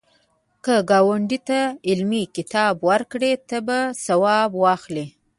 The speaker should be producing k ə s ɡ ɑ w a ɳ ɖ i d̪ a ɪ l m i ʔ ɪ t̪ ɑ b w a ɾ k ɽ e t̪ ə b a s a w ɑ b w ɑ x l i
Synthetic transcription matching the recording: k ə ɡ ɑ w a ɳ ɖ i t̪ a ɪ l m i k ɪ t̪ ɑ b w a ɾ k ɽ e t̪ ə b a s a w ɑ b w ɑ x l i